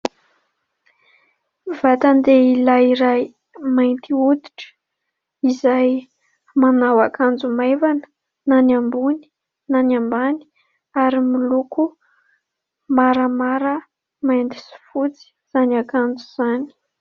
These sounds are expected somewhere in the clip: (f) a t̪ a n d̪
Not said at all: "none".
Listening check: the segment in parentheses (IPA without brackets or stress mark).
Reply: v